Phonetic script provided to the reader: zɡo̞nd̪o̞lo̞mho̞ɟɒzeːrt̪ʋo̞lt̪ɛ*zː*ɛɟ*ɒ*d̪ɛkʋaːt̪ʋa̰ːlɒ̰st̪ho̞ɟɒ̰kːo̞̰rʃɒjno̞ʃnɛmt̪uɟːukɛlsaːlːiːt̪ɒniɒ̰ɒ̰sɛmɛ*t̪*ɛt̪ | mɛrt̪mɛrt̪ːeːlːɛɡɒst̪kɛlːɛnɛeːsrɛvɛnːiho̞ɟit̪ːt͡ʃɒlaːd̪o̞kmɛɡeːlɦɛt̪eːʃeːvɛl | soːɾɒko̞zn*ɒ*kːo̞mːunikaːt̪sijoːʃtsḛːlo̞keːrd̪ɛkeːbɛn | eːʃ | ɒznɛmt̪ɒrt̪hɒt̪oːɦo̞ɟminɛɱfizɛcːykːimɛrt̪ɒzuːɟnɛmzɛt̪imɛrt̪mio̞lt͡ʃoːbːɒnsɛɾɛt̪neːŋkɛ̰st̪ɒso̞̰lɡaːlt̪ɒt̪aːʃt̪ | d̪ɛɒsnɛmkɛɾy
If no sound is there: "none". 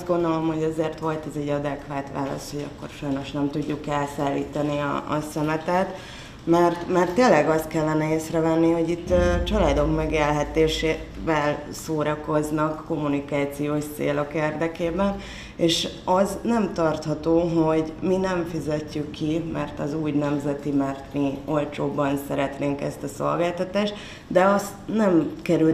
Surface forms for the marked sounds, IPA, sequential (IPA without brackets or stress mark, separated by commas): z, ɒ, t̪, ɒ